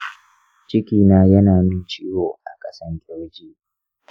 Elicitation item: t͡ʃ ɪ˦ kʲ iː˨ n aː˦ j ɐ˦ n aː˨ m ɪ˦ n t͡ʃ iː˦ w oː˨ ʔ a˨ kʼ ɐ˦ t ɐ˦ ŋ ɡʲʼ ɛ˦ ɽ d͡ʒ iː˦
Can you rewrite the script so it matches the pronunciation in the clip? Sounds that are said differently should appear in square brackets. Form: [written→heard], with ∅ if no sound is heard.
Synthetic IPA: t͡ʃ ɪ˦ kʲ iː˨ n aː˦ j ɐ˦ n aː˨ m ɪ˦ n t͡ʃ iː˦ w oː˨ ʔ a˨ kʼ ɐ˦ [t→s] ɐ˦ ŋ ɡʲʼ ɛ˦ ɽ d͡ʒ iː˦